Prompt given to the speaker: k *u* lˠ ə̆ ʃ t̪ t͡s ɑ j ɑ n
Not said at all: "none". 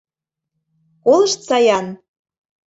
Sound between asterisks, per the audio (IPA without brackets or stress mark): o